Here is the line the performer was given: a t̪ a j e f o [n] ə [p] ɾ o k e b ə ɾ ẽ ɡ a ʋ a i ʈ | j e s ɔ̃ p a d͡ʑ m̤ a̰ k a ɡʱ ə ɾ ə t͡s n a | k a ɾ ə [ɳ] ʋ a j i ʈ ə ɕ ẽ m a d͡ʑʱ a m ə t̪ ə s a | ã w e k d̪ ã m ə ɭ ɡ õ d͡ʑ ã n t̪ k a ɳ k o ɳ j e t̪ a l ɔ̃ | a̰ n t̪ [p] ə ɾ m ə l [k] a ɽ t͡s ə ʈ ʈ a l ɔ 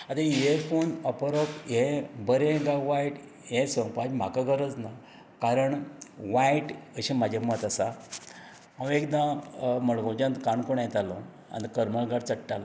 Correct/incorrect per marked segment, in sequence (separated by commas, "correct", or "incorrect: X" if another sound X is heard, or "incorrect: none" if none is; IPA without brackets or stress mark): correct, correct, correct, incorrect: k, incorrect: ɡ